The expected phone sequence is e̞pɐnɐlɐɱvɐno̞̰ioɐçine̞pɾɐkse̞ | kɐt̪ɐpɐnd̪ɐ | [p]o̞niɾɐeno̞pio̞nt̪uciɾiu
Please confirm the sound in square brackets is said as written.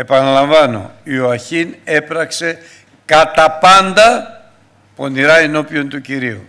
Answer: yes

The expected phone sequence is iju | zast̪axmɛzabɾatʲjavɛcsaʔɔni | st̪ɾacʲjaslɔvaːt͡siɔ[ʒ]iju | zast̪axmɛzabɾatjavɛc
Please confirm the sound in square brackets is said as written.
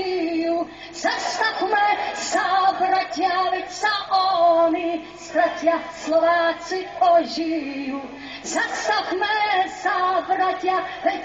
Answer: yes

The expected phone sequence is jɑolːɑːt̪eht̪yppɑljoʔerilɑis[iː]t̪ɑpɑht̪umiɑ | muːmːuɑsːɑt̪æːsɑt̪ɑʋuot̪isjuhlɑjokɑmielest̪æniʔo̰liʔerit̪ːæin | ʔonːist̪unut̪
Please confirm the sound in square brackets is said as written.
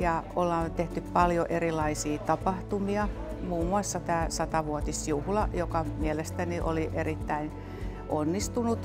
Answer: yes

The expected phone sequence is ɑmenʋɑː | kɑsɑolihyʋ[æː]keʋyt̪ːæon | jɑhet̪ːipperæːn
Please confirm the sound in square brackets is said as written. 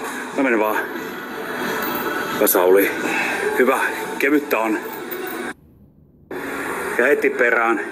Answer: no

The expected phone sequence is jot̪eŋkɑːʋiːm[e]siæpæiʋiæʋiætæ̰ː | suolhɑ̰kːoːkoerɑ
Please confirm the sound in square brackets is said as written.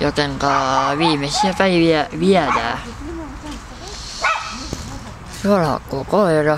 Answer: yes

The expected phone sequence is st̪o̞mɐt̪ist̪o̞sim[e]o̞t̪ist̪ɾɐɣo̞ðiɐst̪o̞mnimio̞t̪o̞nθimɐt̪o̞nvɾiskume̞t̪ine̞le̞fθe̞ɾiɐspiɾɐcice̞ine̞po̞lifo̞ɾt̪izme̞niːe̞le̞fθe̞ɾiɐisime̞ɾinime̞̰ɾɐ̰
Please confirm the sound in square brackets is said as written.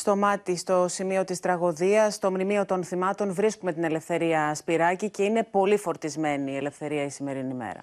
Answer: no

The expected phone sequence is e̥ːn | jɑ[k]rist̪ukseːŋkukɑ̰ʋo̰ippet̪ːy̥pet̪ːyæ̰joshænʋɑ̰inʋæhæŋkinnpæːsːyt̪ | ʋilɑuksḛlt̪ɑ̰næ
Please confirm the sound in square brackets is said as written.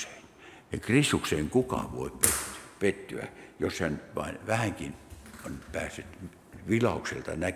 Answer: yes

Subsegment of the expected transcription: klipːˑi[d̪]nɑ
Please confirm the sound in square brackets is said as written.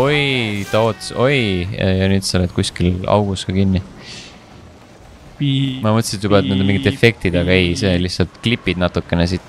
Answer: yes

